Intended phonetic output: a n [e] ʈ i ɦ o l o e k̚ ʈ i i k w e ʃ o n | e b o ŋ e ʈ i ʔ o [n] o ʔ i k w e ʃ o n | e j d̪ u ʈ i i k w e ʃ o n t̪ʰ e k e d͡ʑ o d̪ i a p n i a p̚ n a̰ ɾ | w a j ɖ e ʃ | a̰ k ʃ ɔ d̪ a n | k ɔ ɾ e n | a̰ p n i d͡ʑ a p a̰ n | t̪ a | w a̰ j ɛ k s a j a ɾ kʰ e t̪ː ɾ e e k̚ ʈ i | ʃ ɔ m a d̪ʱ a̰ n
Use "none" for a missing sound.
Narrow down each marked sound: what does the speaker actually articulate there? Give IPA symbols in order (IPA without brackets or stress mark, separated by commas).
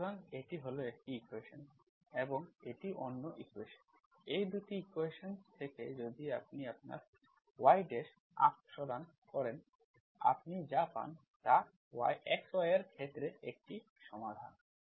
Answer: e, nː